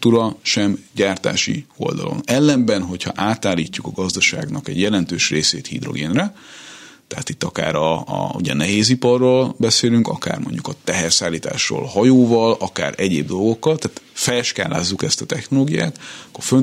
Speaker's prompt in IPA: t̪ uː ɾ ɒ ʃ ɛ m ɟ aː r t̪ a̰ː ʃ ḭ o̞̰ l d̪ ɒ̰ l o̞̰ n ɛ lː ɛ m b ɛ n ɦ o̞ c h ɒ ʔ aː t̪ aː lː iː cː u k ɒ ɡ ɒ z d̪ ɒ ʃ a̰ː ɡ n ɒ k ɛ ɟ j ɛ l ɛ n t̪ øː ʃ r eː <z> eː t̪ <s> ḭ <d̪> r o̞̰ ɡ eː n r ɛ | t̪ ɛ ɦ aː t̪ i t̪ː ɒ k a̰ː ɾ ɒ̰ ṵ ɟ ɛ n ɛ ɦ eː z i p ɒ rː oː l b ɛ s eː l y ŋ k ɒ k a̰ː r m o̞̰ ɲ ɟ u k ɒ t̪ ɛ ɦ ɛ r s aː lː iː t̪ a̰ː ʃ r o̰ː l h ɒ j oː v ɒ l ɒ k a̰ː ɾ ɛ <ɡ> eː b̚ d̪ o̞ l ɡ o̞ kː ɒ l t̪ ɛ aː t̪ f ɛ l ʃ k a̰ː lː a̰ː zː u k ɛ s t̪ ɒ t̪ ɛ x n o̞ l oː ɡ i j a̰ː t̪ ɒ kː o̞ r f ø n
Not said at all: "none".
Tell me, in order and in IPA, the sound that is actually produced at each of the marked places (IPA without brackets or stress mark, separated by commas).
s, h, d̪, ɟ